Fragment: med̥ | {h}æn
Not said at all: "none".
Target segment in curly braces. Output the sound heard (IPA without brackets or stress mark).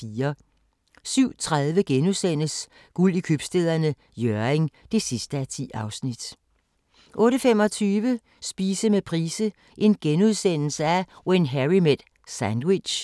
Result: s